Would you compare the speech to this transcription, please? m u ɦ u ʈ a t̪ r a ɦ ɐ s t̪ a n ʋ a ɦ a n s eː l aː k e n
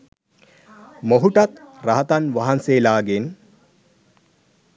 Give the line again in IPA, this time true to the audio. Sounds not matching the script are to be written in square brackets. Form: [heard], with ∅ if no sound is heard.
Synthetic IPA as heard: m [o] ɦ u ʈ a t̪ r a ɦ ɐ [∅] t̪ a n ʋ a ɦ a n s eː l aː [ɡ] e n